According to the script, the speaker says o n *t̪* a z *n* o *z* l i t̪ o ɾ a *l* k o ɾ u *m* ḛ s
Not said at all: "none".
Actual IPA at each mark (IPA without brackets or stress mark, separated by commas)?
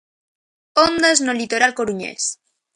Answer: d̪, n, none, l, ɲ